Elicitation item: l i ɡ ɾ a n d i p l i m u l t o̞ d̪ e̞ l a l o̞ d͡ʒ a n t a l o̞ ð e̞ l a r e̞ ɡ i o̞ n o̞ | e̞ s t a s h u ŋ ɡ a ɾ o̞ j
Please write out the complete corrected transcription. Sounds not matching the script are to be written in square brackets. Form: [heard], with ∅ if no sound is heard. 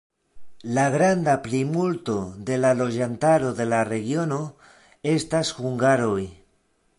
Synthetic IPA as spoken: l [a] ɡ ɾ a n d [a] p l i m u l t o̞ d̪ e̞ l a l o̞ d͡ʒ a n t a [ɾ] o̞ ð e̞ l a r e̞ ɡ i o̞ n o̞ | e̞ s t a s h u ŋ ɡ a ɾ o̞ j